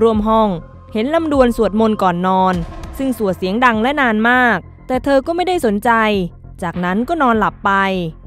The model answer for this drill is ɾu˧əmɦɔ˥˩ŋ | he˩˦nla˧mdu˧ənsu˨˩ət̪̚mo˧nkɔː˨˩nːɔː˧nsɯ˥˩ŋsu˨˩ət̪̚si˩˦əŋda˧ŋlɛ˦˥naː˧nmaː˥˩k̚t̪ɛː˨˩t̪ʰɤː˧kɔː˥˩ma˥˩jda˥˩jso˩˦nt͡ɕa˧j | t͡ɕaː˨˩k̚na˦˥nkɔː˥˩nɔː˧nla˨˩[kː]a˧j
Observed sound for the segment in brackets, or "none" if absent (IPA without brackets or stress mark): pː